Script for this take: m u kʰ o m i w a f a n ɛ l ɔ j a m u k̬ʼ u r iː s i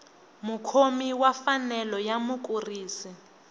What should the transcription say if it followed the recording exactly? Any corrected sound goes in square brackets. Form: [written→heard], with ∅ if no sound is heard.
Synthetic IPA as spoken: m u kʰ o m i w a f a n ɛ l ɔ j a m u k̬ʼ u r iː s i